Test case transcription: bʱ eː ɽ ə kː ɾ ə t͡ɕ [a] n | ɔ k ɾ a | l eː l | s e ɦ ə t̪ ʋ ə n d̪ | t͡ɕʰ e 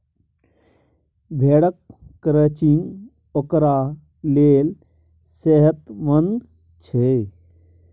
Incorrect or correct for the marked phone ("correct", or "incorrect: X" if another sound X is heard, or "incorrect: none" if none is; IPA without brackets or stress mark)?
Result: incorrect: i